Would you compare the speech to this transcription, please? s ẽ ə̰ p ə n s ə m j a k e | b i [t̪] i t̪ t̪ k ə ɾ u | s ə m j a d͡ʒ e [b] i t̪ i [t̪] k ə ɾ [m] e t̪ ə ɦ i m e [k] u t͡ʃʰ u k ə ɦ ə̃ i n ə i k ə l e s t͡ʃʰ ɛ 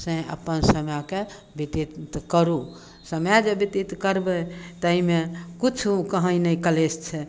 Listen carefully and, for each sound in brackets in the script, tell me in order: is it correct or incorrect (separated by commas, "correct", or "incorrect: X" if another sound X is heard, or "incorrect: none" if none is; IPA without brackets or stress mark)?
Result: correct, correct, correct, incorrect: b, correct